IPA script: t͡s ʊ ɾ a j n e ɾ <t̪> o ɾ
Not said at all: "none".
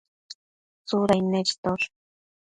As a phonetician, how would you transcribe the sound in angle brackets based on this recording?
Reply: t̪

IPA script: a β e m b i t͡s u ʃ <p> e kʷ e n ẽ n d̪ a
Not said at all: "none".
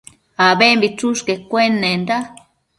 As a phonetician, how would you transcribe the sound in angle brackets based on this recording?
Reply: k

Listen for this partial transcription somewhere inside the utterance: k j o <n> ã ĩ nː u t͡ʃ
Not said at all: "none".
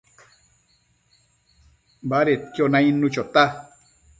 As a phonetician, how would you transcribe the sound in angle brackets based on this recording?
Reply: n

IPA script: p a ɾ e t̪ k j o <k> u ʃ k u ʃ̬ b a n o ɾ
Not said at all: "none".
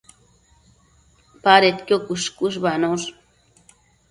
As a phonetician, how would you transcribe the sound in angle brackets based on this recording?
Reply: k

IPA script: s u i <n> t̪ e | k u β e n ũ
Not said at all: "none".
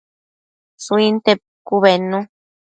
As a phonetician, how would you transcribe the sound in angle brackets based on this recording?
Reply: n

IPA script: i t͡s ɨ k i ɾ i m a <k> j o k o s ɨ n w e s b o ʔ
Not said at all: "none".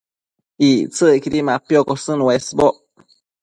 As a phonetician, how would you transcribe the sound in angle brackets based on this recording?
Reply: p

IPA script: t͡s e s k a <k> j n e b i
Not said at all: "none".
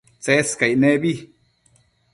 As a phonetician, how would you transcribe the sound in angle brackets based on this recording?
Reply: none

